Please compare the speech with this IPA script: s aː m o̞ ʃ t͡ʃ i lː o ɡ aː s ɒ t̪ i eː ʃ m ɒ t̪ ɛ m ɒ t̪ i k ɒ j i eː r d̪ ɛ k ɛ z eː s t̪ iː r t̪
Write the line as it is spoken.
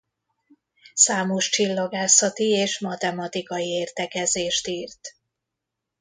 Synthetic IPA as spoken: s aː m o̞ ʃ t͡ʃ i lː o ɡ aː s ɒ t̪ i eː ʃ m ɒ t̪ ɛ m ɒ t̪ i k ɒ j i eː r t̪ ɛ k ɛ z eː ʃ t̪ iː r t̪

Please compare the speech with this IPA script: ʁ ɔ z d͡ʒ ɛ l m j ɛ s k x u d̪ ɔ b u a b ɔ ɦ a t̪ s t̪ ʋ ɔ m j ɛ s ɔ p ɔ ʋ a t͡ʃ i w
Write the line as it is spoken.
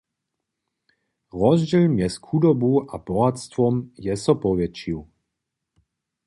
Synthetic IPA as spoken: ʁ ɔ z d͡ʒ ɛ l m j ɛ s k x u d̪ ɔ b u a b ɔ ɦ a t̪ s t̪ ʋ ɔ m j ɛ s ɔ p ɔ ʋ ɛ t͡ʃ i w

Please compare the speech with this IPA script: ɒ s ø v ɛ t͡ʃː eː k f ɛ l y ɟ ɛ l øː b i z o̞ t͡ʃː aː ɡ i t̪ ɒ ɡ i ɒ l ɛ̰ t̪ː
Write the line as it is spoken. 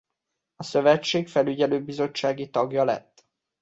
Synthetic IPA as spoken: ɒ s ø v ɛ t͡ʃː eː k f ɛ l y ɟ ɛ l øː b i z o̞ t͡ʃː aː ɡ i t̪ ɒ ɡ j ɒ l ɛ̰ t̪ː

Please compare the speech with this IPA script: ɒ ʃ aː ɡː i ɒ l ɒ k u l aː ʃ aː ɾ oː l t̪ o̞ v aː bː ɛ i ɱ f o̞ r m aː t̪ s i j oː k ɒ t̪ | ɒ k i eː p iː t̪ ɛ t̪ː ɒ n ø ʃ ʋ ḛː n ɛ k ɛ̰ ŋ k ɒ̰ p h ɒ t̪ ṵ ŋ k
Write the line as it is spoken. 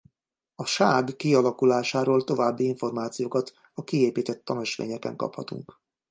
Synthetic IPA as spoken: ɒ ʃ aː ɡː i ɒ l ɒ k u l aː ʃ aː ɾ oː l t̪ o̞ v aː bː i i ɱ f o̞ r m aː t̪ s i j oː k ɒ t̪ | ɒ k i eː p iː t̪ ɛ t̪ː ɒ n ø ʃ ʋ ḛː ɲ ɛ k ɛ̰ ŋ k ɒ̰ p h ɒ t̪ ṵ ŋ k

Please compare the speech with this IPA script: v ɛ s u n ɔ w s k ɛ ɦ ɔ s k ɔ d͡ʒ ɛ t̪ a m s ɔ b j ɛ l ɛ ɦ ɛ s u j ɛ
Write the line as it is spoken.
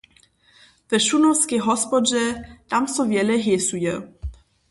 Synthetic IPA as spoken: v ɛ ʃ u n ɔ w s k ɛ ɦ ɔ s p ɔ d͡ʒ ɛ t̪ a m s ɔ v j ɛ l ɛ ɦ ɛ s u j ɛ

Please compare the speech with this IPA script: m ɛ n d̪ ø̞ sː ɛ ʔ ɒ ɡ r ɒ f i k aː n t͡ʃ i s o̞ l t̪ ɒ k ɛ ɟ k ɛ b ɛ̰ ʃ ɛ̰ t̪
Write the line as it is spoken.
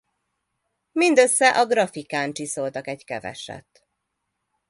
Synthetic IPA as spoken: m i n d̪ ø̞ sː ɛ ʔ ɒ ɡ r ɒ f i k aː n t͡ʃ i s o̞ l t̪ ɒ k ɛ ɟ k ɛ v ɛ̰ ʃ ɛ̰ t̪

